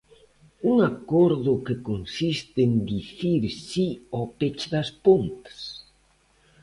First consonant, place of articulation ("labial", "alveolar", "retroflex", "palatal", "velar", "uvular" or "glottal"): velar